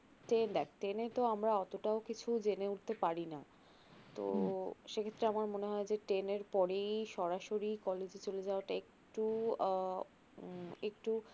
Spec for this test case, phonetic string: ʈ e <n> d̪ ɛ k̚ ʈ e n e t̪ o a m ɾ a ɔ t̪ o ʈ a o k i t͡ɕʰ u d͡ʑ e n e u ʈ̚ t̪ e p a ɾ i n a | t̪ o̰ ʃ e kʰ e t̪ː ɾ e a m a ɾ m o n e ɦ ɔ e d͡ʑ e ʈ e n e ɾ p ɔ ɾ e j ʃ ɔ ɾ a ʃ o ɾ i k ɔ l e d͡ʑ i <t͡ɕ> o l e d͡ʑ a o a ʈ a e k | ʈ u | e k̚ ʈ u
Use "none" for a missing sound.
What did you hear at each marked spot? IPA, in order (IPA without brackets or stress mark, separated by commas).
n, t͡ɕ